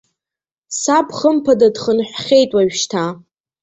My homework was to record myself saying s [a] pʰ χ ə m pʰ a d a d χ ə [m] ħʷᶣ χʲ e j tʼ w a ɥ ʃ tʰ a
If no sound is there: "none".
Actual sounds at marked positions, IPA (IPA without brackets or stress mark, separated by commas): a, n